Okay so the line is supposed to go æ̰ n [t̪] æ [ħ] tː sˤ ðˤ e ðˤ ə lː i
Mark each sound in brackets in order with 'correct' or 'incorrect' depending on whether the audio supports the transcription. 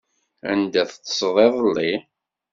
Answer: incorrect, incorrect

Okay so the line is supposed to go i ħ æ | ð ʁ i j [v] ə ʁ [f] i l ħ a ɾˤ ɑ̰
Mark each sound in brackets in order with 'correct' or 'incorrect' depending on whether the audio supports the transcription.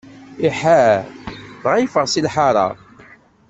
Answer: incorrect, incorrect

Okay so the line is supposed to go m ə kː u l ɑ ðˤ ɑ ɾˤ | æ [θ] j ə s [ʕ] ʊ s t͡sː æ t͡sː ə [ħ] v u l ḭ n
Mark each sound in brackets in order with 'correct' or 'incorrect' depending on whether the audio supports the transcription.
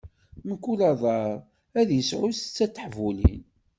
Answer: incorrect, correct, correct

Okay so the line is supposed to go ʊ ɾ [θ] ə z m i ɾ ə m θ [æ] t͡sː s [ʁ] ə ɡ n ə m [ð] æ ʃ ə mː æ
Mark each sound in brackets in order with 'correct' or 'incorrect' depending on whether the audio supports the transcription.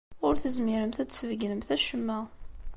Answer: correct, correct, incorrect, incorrect

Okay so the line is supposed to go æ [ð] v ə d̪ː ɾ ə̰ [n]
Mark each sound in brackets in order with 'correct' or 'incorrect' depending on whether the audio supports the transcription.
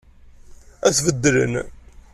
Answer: incorrect, correct

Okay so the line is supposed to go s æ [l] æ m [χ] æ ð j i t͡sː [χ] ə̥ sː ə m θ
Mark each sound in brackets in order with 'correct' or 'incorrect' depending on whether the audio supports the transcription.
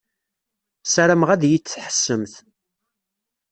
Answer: incorrect, incorrect, incorrect

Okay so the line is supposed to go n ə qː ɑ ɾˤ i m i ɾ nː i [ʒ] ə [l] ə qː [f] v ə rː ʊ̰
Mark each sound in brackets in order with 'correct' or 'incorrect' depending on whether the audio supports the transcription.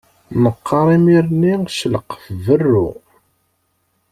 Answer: incorrect, correct, correct

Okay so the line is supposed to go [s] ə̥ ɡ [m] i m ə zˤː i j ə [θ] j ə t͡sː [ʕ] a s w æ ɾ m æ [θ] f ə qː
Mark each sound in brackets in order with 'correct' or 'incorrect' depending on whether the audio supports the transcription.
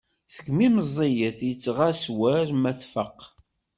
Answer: correct, correct, correct, incorrect, correct

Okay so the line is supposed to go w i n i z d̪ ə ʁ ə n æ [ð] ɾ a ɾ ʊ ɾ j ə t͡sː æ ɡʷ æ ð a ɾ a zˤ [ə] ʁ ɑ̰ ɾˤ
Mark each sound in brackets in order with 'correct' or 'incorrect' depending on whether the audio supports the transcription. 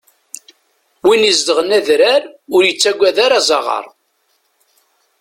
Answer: correct, incorrect

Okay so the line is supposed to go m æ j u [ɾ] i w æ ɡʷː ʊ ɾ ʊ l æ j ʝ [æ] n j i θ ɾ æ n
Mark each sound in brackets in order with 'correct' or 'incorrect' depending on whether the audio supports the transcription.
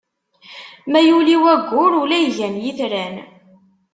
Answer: incorrect, correct

